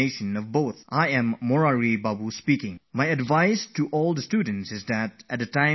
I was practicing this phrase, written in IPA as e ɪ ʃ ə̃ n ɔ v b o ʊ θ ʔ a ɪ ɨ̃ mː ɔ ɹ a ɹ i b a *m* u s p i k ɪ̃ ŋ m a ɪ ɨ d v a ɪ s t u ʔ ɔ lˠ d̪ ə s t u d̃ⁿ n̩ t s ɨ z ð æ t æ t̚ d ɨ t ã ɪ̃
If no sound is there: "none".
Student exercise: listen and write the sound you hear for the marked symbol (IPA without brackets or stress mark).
b